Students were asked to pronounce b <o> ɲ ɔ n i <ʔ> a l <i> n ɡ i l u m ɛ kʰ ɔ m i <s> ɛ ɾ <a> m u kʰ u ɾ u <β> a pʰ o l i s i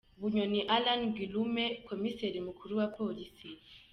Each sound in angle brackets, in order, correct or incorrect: incorrect: u, correct, incorrect: a, correct, incorrect: i, incorrect: w

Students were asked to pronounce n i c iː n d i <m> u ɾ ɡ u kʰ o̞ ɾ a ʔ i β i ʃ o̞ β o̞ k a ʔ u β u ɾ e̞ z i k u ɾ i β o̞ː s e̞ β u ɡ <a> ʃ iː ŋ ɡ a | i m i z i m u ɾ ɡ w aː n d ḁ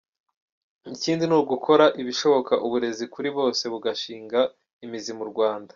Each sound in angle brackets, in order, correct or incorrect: incorrect: n, correct

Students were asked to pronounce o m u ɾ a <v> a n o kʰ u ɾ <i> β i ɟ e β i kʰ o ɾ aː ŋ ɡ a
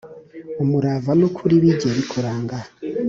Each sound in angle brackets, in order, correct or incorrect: correct, correct

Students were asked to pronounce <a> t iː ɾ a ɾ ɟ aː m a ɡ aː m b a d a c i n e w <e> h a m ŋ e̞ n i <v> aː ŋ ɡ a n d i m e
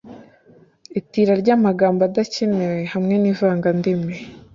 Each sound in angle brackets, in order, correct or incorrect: incorrect: i, correct, correct

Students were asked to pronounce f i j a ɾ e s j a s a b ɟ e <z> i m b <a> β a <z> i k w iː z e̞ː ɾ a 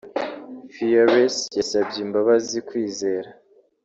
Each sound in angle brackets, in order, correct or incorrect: incorrect: none, correct, correct

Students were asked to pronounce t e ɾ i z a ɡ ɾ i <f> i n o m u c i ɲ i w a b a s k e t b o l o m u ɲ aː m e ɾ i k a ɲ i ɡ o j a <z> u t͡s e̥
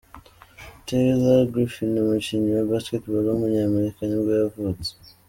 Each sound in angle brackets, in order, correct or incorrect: correct, incorrect: v

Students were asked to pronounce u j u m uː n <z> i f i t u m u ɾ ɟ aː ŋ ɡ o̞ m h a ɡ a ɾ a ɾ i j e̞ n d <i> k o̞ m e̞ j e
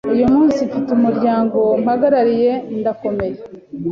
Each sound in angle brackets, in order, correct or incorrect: incorrect: s, incorrect: a

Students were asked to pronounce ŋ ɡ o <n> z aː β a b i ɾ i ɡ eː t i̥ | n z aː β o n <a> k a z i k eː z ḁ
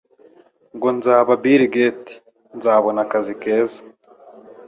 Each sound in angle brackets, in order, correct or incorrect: correct, correct

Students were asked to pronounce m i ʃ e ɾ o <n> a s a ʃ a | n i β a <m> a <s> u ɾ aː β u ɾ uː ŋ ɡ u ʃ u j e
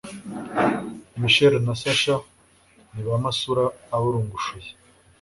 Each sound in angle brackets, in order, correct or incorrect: correct, correct, correct

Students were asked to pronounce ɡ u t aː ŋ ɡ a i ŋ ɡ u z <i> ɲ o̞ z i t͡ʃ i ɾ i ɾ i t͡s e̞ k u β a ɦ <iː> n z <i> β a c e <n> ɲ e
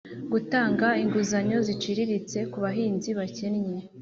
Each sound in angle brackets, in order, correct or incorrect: incorrect: a, correct, correct, correct

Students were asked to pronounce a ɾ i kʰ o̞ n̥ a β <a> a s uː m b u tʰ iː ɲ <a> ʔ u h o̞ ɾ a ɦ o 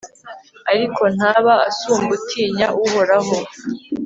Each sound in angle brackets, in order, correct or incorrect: correct, correct

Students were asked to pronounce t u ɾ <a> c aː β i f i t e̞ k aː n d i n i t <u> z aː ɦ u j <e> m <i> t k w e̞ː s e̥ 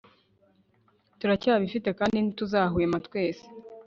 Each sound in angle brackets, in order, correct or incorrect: correct, correct, correct, incorrect: a

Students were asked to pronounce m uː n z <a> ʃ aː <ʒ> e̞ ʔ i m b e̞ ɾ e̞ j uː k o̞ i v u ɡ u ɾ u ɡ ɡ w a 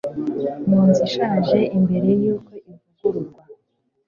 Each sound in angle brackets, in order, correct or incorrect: incorrect: i, correct

